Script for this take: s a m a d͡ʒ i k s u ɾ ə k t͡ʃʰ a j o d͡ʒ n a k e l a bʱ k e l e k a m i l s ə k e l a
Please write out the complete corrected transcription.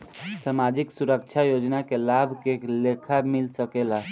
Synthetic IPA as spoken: s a m a d͡ʒ i k s u ɾ ə k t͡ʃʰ a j o d͡ʒ n a k e l a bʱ k e l e kʰ a m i l s ə k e l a